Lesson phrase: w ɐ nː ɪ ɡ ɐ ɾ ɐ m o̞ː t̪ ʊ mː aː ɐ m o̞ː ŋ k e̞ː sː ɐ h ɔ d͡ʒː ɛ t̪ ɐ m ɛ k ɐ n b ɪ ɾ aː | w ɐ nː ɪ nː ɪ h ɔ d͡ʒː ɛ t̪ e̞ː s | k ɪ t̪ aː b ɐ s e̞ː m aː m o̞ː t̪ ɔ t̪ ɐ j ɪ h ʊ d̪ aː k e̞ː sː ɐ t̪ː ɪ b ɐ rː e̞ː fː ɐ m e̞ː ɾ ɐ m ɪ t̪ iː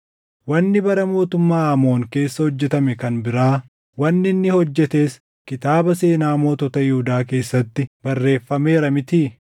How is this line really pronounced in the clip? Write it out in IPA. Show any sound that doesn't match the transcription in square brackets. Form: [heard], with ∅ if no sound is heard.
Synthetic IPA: w ɐ nː ɪ [b] ɐ ɾ ɐ m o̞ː t̪ ʊ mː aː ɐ m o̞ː ŋ k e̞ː sː ɐ h ɔ d͡ʒː ɛ t̪ ɐ m ɛ k ɐ n b ɪ ɾ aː | w ɐ nː ɪ nː ɪ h ɔ d͡ʒː ɛ t̪ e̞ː s | k ɪ t̪ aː b ɐ s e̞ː [n] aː m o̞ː t̪ ɔ t̪ ɐ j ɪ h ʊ d̪ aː k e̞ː sː ɐ t̪ː ɪ b ɐ rː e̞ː fː ɐ m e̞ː ɾ ɐ m ɪ t̪ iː